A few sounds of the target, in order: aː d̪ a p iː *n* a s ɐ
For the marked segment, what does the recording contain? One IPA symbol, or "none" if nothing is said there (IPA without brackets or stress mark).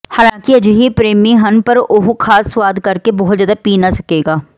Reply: n